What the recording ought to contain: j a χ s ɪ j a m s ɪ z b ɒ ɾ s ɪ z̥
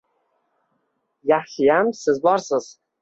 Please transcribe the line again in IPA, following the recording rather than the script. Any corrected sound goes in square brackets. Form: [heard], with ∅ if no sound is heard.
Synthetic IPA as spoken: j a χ [ʃ] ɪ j a m s ɪ z b ɒ ɾ s ɪ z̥